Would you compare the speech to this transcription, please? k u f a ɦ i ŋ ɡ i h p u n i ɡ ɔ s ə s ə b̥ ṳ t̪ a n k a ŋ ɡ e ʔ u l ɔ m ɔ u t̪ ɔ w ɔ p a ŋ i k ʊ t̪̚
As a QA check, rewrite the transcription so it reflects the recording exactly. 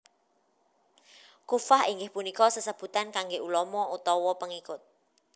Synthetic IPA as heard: k u f a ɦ i ŋ ɡ ɪ h p u n i k ɔ s ə s ə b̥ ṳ t̪ a n k a ŋ ɡ e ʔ u l ɔ m ɔ u t̪ ɔ w ɔ p ə ŋ i k ʊ t̪̚